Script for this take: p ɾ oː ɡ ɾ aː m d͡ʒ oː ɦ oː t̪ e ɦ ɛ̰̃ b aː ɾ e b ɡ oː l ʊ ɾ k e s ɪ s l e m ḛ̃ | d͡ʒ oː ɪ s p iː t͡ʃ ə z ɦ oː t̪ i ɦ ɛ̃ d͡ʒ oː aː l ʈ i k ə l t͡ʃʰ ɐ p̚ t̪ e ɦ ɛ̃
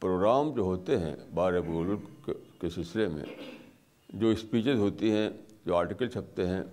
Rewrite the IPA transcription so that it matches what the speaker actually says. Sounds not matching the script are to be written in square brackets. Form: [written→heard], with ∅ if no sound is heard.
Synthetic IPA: p ɾ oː ɡ ɾ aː m d͡ʒ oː ɦ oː t̪ e ɦ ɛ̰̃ b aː ɾ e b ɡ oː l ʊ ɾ k e s ɪ s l e m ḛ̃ | d͡ʒ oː ɪ s p iː t͡ʃ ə z ɦ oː t̪ i ɦ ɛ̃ d͡ʒ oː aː [l→ɾ] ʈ i k ə l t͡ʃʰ ɐ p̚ t̪ e ɦ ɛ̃